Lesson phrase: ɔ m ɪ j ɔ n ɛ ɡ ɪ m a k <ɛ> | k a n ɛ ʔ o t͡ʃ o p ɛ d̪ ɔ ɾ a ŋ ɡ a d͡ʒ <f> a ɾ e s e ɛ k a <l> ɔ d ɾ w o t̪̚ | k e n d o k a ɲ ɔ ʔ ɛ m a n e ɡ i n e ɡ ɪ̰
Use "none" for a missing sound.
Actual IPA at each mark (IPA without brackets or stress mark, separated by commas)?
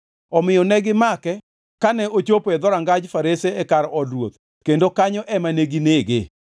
ɛ, f, ɾ